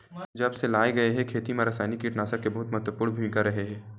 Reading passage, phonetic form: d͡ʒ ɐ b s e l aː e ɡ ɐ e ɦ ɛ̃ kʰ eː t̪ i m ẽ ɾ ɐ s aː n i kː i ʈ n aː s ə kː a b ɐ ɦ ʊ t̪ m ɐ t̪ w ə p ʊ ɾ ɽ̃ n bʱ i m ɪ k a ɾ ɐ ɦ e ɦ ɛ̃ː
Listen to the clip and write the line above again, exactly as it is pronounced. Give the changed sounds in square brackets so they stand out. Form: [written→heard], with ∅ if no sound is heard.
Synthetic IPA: d͡ʒ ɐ b s e l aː e ɡ ɐ e ɦ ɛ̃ kʰ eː t̪ i m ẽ ɾ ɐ s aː n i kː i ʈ n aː s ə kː [a→e] b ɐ ɦ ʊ t̪ m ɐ t̪ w ə p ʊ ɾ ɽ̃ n bʱ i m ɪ k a ɾ ɐ ɦ e ɦ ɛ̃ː